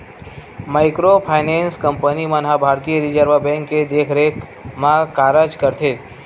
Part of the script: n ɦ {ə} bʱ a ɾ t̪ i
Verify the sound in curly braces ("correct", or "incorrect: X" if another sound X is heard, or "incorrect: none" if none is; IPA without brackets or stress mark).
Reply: incorrect: a